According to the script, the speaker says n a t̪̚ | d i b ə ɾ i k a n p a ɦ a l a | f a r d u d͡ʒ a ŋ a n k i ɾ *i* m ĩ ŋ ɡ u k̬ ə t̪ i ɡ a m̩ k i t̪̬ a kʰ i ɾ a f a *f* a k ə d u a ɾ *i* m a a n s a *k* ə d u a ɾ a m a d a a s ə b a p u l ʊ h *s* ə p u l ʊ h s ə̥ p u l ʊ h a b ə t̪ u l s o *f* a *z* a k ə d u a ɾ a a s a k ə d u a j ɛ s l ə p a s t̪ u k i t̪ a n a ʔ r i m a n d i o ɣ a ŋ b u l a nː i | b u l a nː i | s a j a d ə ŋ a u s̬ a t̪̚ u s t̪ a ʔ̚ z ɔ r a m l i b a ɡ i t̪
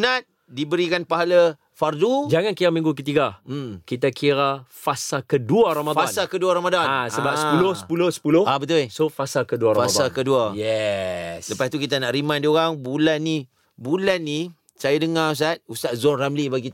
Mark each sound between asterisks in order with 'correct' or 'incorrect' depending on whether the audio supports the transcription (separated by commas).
incorrect, incorrect, incorrect, correct, correct, correct, incorrect